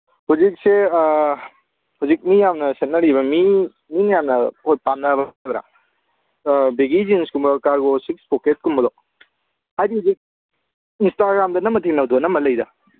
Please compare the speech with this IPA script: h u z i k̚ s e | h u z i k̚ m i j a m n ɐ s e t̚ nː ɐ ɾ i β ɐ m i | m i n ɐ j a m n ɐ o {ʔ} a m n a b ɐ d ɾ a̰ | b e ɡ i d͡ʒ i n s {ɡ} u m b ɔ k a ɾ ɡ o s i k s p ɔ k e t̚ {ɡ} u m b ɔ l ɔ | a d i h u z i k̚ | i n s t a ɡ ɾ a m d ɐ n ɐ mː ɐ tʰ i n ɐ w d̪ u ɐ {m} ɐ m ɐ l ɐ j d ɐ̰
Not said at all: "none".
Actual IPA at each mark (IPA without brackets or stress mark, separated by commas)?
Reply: p, k, k, n